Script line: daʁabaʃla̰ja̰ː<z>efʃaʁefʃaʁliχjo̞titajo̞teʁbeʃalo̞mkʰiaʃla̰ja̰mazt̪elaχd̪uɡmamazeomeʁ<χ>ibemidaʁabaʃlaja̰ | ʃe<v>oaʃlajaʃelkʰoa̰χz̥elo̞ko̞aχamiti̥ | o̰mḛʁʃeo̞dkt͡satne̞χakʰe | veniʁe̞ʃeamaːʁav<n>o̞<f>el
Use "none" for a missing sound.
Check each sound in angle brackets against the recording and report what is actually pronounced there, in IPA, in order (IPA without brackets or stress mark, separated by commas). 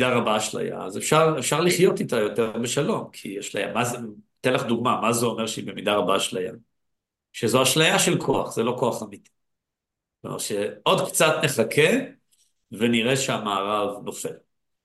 z, ʃ, z, n, f